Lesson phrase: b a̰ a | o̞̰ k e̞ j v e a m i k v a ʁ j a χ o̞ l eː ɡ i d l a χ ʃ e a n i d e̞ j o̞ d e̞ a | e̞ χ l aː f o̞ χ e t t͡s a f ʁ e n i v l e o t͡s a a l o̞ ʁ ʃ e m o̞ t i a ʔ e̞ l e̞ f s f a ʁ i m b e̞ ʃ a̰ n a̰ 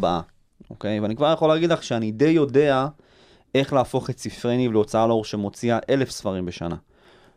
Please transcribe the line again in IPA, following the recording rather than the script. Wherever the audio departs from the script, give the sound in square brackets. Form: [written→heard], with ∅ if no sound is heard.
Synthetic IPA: b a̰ a | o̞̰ k e̞ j v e a [m→n] i k v a ʁ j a χ o̞ l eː ɡ i d l a χ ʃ e a n i d e̞ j o̞ d e̞ a | e̞ χ l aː f o̞ χ e t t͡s [a→i] f ʁ e n i v l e o t͡s a a l o̞ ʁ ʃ e m o̞ [t→t͡s] i a ʔ e̞ l e̞ f s f a ʁ i m b e̞ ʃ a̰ n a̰